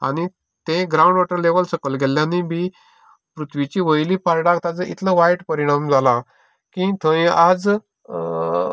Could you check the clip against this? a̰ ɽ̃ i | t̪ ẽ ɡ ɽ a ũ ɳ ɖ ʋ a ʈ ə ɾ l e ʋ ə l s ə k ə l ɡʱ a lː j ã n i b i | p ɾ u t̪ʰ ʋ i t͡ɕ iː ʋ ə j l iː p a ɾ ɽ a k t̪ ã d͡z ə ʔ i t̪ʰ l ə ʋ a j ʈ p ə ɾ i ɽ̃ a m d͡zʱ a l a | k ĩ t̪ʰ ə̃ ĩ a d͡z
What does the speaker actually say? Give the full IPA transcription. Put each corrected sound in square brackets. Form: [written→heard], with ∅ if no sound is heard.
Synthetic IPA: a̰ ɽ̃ i | t̪ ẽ ɡ [ɽ→ɾ] a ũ ɳ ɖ ʋ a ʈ ə ɾ l e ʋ ə l s ə k ə l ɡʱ [a→e] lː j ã n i b i | p ɾ u t̪ʰ ʋ i t͡ɕ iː ʋ ə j l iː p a ɾ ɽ a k t̪ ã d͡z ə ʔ i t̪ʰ l ə ʋ a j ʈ p ə ɾ i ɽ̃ a m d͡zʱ a l a | k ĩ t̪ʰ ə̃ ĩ a d͡z